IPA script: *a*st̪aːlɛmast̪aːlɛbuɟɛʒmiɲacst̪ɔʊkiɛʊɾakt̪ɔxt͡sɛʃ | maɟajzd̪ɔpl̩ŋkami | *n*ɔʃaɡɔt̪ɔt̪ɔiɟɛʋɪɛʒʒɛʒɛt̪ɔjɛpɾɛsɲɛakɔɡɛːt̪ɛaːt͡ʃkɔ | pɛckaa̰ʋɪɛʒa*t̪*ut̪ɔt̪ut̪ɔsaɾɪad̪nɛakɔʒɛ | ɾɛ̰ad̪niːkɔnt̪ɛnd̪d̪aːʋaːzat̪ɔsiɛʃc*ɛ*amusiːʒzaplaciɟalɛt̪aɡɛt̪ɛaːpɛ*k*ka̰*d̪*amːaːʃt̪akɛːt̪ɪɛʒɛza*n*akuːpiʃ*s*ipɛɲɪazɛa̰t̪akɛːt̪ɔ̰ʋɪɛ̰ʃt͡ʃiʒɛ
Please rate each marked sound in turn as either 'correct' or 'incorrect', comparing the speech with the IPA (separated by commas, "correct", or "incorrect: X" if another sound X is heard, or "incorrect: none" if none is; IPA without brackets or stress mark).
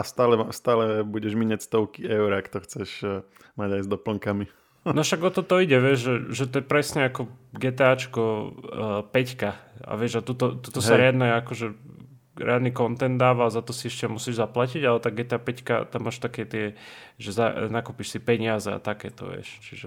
correct, correct, correct, correct, incorrect: c, incorrect: t̪, correct, correct